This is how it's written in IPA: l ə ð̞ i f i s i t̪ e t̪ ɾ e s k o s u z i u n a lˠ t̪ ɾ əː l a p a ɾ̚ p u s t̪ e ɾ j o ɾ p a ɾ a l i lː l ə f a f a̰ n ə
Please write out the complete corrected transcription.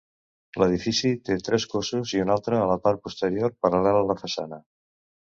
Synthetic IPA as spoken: l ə ð̞ i f i s i t̪ e t̪ ɾ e s k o s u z i u n a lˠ t̪ ɾ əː l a p a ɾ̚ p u s t̪ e ɾ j o ɾ p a ɾ a l ɛ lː l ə f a s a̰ n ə

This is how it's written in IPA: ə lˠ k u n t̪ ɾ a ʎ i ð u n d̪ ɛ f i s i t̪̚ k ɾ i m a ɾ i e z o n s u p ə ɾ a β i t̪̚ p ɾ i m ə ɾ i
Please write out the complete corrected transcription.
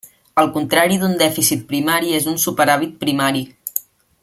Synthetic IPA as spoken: ə lˠ k u n t̪ ɾ a ɾ i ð u n d̪ ɛ f i s i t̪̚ p ɾ i m a ɾ i e z u n s u p ə ɾ a β i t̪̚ p ɾ i m a ɾ i

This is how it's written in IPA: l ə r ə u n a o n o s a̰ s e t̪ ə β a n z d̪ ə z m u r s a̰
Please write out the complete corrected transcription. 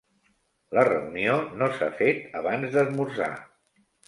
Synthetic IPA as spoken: l ə r ə u n i o n o s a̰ f e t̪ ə β a n z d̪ ə z m u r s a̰

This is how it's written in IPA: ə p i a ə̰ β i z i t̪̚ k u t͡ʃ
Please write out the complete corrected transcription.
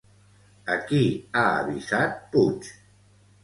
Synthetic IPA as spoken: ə k i a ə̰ β i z a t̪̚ p u t͡ʃ

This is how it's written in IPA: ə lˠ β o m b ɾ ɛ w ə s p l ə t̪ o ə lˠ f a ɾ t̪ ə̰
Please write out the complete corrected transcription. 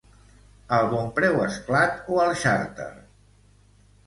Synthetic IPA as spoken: ə lˠ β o m p ɾ ɛ w ə s k l a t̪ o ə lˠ ʃ a ɾ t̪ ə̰

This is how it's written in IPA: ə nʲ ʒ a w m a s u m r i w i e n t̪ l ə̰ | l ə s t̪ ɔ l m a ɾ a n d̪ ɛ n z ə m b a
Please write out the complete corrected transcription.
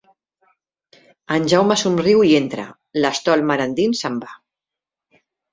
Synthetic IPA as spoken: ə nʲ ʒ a w m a s u m r i w i e n t̪ ɾ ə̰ | l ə s t̪ ɔ l m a ɾ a n d̪ i n s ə m b a

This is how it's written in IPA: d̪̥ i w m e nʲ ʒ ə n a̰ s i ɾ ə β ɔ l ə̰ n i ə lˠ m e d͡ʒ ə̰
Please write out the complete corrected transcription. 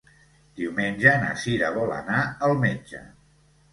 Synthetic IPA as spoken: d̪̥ i w m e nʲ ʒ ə n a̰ s i ɾ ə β ɔ l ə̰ n a ə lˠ m e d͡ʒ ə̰

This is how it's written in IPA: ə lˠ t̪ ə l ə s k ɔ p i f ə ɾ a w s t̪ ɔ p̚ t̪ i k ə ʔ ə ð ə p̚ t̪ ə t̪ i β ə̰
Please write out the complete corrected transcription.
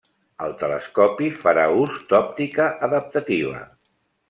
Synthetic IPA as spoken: ə lˠ t̪ ə l ə s k ɔ p i f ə ɾ a u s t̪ ɔ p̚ t̪ i k ə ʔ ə ð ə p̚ t̪ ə t̪ i β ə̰

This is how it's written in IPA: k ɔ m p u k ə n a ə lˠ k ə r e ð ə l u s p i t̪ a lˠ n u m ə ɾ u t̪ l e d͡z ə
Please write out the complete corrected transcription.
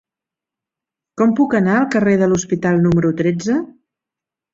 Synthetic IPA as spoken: k ɔ m p u k ə n a ə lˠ k ə r e ð ə l u s p i t̪ a lˠ n u m ə ɾ u t̪ ɾ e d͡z ə

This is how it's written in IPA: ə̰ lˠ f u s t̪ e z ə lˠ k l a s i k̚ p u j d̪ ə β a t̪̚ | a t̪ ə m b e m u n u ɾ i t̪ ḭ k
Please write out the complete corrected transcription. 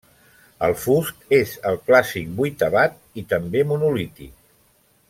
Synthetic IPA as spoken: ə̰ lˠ f u s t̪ e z ə lˠ k l a s i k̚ b u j t̪ ə β a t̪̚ | i t̪ ə m b e m u n u l i t̪ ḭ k

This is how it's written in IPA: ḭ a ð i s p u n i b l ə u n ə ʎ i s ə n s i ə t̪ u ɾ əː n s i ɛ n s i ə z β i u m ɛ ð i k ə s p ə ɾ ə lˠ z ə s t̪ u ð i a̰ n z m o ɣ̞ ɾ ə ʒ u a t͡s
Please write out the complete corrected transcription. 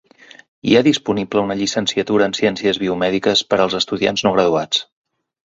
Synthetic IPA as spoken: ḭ a ð i s p u n i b l ə u n ə ʎ i s ə n s i ə t̪ u ɾ əː n s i ɛ n s i ə z β i u m ɛ ð i k ə s p ə ɾ ə lˠ z ə s t̪ u ð i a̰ n z n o ɣ̞ ɾ ə ð u a t͡s

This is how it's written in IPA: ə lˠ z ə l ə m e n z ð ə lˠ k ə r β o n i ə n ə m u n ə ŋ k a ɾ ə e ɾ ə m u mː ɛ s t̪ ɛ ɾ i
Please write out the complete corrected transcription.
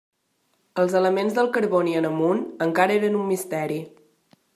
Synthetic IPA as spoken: ə lˠ z ə l ə m e n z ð ə lˠ k ə ɾ β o n i ə n ə m u n ə ŋ k a ɾ ə e ɾ ə n u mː i s t̪ ɛ ɾ i

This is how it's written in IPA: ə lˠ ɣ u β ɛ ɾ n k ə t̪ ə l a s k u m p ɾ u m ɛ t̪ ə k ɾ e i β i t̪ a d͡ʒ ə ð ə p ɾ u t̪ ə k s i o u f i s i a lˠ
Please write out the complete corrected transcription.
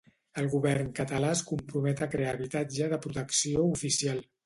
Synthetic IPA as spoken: ə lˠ ɣ u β ɛ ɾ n k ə t̪ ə l a s k u m p ɾ u m ɛ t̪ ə k ɾ e a β i t̪ a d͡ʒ ə ð ə p ɾ u t̪ ə k s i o u f i s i a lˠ

